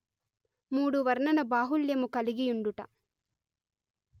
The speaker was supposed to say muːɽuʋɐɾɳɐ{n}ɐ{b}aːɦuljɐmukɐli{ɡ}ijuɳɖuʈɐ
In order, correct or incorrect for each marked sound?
correct, correct, correct

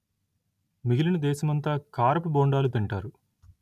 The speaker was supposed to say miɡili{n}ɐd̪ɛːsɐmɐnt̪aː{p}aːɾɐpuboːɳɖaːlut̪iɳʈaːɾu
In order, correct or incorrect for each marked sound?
correct, incorrect: k

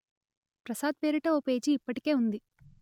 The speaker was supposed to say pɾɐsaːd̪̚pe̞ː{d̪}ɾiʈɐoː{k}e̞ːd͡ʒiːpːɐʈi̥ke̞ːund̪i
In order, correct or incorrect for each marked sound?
incorrect: none, incorrect: p

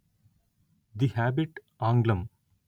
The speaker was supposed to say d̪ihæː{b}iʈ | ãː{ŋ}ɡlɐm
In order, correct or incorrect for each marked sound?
correct, correct

